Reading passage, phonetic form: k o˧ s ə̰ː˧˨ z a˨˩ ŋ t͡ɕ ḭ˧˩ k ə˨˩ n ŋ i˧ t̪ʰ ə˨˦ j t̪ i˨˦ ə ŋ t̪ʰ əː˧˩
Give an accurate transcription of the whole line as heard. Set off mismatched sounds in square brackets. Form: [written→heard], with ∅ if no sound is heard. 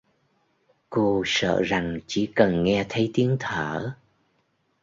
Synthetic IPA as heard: k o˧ s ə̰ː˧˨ z a˨˩ ŋ t͡ɕ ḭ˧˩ k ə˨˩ n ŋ [i˧→ɛ˧] t̪ʰ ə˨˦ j t̪ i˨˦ ə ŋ t̪ʰ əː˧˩